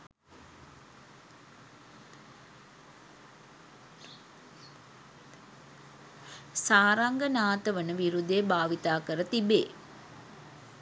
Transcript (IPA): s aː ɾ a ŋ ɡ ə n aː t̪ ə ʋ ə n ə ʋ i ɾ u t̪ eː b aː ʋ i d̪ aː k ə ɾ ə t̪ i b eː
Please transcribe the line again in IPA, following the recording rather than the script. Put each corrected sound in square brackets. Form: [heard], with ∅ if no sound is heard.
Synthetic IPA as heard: s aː ɾ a ŋ ɡ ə n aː t̪ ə ʋ ə n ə ʋ i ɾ u [d̪] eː b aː ʋ i [t̪] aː k ə ɾ ə t̪ i b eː

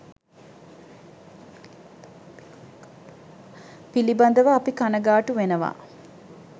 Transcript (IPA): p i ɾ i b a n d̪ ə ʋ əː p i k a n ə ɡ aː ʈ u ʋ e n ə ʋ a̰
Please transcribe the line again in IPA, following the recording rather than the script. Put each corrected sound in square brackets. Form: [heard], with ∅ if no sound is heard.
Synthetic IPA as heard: p i [l] i b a n d̪ ə ʋ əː p i k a n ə ɡ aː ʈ u ʋ e n ə ʋ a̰

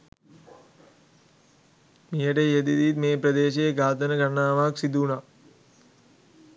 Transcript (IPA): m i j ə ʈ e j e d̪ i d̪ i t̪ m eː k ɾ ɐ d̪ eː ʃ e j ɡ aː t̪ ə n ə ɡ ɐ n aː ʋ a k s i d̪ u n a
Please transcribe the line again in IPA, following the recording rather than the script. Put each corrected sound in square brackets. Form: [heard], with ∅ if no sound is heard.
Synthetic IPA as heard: m i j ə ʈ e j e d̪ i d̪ i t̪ m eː [p] ɾ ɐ d̪ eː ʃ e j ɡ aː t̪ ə n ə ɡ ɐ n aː ʋ a k s i d̪ u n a

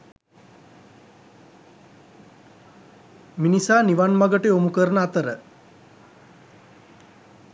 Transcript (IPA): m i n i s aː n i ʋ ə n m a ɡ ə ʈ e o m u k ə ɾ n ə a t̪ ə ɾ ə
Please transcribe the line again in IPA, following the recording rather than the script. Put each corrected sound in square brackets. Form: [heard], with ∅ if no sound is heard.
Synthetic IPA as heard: m i n i s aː n i ʋ [a] n m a ɡ ə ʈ e o m u k ə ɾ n ə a t̪ ə ɾ ə

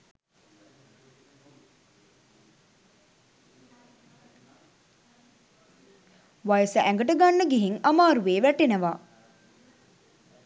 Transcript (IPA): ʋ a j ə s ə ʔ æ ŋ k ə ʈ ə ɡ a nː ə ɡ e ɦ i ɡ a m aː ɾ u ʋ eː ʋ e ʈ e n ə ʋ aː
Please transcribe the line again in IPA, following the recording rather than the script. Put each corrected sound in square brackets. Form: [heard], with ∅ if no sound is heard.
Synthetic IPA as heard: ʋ a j ə s ə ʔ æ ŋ [ɡ] ə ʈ ə ɡ a nː ə ɡ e ɦ i [ŋ] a m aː ɾ u ʋ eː ʋ [æ] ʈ e n ə ʋ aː

